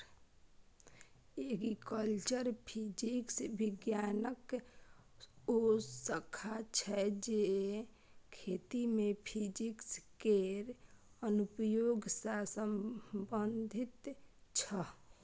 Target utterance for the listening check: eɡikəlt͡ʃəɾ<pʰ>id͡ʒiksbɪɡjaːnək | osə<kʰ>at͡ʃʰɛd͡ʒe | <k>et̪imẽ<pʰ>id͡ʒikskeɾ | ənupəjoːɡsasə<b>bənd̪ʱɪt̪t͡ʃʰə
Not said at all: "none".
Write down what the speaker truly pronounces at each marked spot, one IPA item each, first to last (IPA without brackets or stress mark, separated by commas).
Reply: pʰ, kʰ, kʰ, pʰ, m